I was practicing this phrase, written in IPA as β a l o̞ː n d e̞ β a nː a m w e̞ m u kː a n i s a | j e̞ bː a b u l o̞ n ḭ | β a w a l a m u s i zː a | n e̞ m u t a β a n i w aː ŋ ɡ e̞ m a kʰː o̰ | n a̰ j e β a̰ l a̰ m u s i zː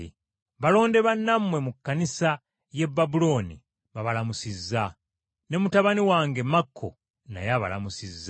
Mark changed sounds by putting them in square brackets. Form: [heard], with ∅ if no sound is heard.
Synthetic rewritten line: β a l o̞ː n d e̞ β a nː a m w e̞ m u kː a n i s a | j e̞ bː a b u l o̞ n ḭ | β a [β] a l a m u s i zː a | n e̞ m u t a β a n i w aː ŋ ɡ e̞ m a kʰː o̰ | n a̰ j [a] β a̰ l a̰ m u s i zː